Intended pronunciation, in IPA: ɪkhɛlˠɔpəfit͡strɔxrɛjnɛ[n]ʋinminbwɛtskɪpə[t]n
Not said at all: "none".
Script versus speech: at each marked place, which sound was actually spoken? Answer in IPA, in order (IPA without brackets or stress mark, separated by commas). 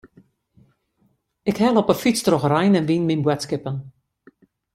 n, none